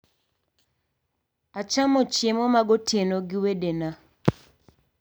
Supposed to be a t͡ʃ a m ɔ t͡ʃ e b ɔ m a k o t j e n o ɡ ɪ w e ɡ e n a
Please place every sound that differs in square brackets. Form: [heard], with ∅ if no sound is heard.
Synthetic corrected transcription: a t͡ʃ a m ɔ t͡ʃ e [m] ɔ m a [ɡ] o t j e n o ɡ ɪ w e [d] e n a